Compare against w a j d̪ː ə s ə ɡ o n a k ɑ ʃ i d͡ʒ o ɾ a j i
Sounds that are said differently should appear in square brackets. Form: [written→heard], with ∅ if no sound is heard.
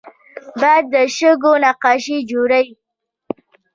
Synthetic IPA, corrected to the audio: [w→b] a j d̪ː ə [s→ʃ] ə ɡ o n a [k→q] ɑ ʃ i d͡ʒ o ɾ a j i